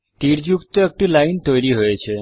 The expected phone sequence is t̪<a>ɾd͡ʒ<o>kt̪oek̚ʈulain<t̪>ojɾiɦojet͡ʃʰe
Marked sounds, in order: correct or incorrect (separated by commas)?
incorrect, incorrect, correct